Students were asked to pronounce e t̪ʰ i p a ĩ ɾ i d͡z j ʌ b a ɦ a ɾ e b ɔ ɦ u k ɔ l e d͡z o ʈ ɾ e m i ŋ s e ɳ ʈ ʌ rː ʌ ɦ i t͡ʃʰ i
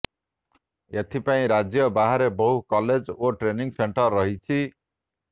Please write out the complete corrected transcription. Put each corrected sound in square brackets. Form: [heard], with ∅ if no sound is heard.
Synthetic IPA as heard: e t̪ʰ i p a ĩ ɾ [a] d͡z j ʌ b a ɦ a ɾ e b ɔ ɦ u k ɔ l e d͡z o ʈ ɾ e [n] i ŋ s e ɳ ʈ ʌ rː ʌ ɦ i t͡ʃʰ i